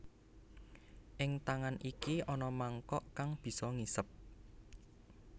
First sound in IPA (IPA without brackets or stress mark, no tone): ʔ